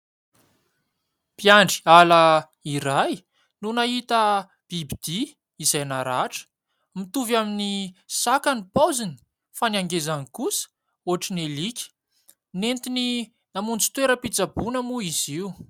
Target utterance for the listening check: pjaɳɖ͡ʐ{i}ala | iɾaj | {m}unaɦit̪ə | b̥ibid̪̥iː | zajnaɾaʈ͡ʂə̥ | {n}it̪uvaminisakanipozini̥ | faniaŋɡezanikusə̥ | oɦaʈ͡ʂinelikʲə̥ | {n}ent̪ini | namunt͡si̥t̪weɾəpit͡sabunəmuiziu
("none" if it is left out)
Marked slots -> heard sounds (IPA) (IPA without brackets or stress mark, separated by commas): i, n, m, n